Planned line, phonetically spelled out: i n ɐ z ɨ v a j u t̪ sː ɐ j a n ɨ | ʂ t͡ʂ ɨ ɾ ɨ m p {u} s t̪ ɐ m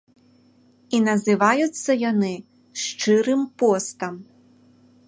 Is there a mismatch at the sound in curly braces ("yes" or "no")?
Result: yes